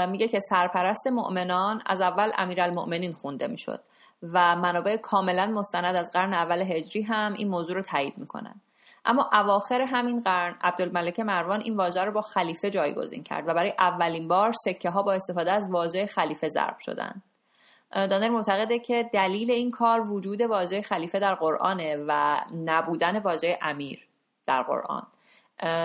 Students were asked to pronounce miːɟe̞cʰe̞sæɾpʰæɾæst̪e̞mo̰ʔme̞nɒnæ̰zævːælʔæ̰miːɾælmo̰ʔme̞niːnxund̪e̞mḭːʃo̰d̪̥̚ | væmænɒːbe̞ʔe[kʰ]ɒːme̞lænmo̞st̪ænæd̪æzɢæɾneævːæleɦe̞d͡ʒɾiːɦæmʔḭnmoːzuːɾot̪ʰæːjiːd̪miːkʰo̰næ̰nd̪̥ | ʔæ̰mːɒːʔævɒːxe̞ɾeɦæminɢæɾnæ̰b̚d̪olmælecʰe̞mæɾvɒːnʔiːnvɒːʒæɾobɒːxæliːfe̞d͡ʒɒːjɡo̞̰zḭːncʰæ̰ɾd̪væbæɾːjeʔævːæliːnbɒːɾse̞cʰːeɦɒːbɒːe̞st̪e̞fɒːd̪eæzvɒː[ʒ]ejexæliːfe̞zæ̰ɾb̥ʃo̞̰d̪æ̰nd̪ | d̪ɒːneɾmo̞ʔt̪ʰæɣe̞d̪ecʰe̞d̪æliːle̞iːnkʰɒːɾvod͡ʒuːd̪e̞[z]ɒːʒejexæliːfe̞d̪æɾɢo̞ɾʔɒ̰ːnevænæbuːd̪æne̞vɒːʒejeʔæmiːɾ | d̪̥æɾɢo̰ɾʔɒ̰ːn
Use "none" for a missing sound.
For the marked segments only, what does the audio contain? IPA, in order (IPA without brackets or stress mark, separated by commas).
kʰ, ʒ, v